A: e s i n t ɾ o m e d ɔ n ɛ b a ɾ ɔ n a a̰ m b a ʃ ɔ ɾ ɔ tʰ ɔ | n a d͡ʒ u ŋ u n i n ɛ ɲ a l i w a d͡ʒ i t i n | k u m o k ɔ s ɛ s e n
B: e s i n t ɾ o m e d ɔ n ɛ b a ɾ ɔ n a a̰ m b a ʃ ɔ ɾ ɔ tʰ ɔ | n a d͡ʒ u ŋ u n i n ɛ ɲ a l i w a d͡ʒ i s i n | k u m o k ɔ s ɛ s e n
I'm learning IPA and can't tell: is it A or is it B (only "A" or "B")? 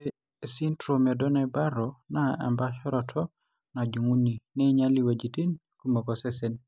A